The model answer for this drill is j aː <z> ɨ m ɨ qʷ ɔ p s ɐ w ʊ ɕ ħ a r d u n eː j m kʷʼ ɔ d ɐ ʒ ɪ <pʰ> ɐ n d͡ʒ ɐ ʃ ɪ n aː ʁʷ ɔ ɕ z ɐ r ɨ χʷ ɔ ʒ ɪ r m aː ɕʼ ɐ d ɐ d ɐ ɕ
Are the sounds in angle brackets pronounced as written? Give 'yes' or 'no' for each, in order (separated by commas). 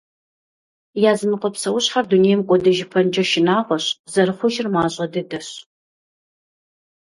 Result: yes, yes